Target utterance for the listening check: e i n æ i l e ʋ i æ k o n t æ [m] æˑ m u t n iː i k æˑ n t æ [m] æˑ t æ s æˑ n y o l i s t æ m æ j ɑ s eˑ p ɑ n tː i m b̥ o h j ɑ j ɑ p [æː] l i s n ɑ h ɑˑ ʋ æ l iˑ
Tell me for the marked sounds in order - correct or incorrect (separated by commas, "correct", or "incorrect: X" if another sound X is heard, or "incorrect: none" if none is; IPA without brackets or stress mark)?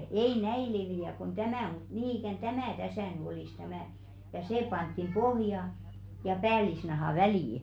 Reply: correct, correct, correct